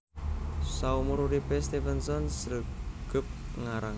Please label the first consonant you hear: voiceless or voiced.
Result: voiceless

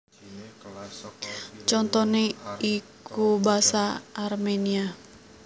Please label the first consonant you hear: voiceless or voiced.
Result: voiceless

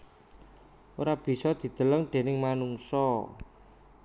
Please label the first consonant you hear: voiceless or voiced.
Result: voiced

